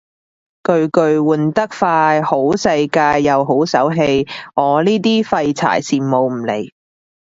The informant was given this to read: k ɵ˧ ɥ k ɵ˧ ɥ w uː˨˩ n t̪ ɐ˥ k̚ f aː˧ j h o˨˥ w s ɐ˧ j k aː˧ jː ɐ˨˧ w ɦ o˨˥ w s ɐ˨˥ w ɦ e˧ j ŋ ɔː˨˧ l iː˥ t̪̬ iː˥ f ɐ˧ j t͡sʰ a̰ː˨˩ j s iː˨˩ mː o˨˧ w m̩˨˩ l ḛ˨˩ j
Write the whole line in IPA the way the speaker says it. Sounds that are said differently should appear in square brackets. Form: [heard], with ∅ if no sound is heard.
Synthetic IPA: k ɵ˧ ɥ k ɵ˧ ɥ w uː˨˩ n t̪ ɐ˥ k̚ f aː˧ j h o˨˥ w s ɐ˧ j k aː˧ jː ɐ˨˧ w ɦ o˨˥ w s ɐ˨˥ w ɦ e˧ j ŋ ɔː˨˧ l iː˥ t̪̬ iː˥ f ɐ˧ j t͡sʰ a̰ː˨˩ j s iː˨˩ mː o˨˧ w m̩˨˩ l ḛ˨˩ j

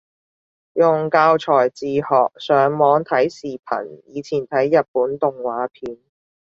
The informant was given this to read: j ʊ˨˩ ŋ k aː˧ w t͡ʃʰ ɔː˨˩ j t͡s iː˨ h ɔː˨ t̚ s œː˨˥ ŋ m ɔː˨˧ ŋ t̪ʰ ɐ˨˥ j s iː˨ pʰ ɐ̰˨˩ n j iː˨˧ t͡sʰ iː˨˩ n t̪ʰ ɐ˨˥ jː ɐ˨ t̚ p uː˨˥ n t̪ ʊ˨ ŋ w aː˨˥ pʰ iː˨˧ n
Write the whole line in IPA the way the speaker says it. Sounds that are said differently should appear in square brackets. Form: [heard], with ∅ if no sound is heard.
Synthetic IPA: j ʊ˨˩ ŋ k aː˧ w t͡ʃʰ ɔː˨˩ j t͡s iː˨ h ɔː˨ [k̚] s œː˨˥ ŋ m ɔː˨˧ ŋ t̪ʰ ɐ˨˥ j s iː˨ pʰ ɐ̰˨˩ n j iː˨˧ t͡sʰ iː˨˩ n t̪ʰ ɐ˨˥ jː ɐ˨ t̚ p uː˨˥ n t̪ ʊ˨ ŋ w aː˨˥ pʰ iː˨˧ n

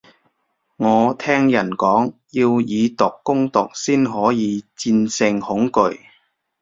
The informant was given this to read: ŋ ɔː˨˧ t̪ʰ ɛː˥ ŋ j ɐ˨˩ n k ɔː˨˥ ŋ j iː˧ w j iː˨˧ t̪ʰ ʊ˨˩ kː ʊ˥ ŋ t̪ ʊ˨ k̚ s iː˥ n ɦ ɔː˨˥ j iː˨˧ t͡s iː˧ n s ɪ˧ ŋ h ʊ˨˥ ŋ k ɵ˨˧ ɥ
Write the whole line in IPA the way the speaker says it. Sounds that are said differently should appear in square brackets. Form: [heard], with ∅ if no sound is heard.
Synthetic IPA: ŋ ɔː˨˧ t̪ʰ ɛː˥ ŋ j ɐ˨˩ n k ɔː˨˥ ŋ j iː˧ w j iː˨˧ [t̪] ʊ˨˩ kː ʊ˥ ŋ t̪ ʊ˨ k̚ s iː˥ n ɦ ɔː˨˥ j iː˨˧ t͡s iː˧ n s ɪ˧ ŋ h ʊ˨˥ ŋ k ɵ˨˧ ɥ

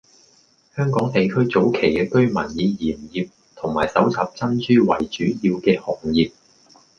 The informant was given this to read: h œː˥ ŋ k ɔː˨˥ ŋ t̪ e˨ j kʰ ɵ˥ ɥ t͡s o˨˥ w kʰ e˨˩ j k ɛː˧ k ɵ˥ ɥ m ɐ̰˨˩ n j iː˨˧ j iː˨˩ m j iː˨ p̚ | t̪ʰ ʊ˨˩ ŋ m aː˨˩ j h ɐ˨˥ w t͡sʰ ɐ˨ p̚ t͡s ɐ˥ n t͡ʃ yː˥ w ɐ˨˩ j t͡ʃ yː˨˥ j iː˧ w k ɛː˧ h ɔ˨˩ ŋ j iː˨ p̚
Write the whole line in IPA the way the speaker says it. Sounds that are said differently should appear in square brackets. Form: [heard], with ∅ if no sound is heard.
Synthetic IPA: h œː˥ ŋ k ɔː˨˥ ŋ t̪ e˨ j kʰ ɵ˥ ɥ t͡s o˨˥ w kʰ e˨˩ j k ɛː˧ k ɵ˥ ɥ m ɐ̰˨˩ n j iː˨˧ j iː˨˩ m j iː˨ p̚ | t̪ʰ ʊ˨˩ ŋ m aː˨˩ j [s] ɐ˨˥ w t͡sʰ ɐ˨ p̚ t͡s ɐ˥ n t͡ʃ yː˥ w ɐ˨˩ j t͡ʃ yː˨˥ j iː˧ w k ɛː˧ h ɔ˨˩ ŋ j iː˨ p̚

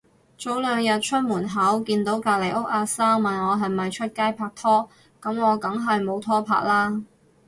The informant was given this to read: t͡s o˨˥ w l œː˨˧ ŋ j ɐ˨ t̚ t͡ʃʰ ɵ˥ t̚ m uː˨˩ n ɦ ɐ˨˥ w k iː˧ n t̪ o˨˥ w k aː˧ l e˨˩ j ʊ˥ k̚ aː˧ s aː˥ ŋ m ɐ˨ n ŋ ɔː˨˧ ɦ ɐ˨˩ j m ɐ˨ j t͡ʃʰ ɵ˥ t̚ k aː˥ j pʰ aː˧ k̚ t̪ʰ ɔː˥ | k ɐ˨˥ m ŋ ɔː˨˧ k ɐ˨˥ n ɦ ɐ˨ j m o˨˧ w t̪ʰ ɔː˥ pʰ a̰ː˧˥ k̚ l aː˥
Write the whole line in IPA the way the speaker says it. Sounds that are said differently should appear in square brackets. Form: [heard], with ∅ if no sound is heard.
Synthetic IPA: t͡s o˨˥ w l œː˨˧ ŋ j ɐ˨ t̚ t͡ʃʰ ɵ˥ t̚ m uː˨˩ n ɦ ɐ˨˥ w k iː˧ n t̪ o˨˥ w k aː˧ l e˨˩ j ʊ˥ k̚ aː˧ s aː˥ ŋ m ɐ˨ n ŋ ɔː˨˧ ɦ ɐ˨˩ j m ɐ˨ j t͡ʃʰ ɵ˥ t̚ k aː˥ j pʰ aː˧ k̚ t̪ʰ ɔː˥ | k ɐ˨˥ m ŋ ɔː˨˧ k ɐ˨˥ [ŋ] ɦ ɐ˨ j m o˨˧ w t̪ʰ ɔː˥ pʰ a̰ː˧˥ k̚ l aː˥

